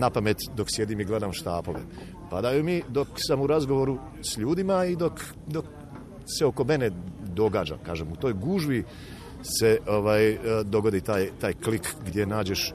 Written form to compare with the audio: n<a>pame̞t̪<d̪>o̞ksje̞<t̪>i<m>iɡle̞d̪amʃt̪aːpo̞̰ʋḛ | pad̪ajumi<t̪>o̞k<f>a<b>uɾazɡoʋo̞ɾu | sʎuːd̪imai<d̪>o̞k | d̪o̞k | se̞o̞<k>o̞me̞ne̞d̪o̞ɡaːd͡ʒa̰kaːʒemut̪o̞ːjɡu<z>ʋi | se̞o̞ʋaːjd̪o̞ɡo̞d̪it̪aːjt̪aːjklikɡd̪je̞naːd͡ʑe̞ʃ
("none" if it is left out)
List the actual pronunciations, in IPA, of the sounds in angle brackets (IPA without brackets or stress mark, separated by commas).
a, d̪, d̪, m, d̪, s, m, d̪, k, ʒ